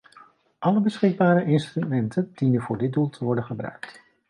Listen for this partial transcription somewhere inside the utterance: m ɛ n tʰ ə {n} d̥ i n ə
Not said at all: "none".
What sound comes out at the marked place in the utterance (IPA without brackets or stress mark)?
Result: n